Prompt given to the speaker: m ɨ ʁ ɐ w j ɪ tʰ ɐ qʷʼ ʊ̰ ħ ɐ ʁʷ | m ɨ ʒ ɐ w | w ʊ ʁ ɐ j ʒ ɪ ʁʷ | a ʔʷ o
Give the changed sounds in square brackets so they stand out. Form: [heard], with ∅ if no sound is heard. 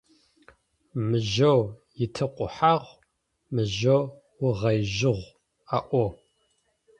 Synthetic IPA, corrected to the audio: m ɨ [ʒ] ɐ w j ɪ tʰ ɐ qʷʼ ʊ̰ ħ [a] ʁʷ | m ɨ ʒ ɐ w | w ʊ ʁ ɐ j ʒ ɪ ʁʷ | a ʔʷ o